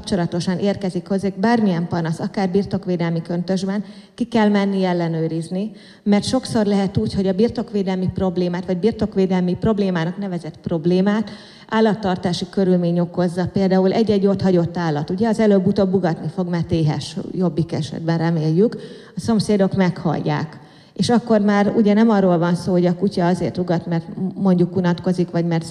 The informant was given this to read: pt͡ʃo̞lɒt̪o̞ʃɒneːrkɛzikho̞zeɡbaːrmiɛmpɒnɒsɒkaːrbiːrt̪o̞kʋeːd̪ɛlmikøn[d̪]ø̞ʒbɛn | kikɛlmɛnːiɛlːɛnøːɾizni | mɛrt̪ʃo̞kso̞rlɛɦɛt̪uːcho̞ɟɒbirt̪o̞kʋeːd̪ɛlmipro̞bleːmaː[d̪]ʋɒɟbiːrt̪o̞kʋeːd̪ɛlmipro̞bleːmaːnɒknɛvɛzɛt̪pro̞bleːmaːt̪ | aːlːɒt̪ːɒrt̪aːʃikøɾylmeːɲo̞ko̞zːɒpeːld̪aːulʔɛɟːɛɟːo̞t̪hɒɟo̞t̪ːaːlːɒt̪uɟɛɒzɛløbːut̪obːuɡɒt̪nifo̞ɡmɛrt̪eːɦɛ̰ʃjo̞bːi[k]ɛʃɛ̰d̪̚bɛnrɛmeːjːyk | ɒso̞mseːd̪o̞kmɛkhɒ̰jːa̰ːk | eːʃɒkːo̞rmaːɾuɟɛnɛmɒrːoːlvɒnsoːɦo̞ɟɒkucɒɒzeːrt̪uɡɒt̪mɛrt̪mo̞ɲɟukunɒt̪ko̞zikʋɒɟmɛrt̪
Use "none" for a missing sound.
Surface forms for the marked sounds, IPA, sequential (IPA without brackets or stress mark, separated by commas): t̪, t̪, k